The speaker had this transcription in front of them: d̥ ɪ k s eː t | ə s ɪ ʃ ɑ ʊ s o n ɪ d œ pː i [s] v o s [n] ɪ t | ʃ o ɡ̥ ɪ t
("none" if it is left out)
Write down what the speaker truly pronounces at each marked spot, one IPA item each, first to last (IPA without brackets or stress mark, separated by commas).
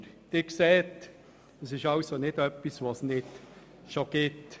s, n